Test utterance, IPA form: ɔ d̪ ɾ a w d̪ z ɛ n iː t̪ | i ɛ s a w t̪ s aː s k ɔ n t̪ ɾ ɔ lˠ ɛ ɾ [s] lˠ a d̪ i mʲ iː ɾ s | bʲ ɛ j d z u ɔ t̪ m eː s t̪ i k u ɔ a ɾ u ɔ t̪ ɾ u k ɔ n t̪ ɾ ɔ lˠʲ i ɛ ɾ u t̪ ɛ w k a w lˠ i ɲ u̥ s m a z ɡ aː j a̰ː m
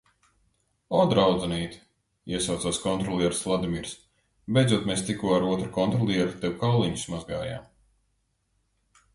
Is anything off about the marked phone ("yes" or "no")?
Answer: no